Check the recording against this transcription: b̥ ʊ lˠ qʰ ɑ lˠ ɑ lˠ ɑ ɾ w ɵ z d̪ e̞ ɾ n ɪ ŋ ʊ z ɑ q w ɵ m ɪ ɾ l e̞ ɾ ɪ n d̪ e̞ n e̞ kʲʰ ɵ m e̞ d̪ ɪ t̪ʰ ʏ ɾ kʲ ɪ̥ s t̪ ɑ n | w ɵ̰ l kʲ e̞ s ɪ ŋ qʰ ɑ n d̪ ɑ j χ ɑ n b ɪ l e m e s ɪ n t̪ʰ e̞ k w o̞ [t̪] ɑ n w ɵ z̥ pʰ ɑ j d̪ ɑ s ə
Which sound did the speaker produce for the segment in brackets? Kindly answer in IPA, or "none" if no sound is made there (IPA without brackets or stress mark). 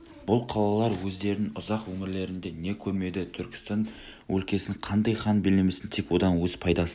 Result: d̪